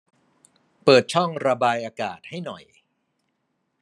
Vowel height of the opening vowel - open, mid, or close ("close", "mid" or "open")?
mid